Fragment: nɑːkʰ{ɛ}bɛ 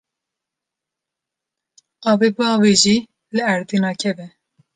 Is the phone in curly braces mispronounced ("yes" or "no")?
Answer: no